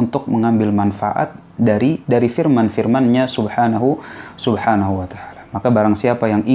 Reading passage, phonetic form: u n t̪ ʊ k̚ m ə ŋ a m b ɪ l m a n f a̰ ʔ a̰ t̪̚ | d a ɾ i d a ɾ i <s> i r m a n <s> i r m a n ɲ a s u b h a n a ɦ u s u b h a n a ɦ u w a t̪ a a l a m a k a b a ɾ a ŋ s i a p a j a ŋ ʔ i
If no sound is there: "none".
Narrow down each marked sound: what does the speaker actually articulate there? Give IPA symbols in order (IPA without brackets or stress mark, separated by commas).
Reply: f, f